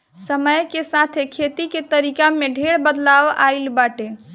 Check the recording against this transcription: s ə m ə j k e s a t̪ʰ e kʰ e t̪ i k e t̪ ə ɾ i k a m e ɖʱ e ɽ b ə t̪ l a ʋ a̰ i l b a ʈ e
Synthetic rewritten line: s ə m ə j k e s a t̪ʰ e kʰ e t̪ i k e t̪ ə ɾ i k a m e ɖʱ e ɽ b ə d̪ l a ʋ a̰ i l b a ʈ e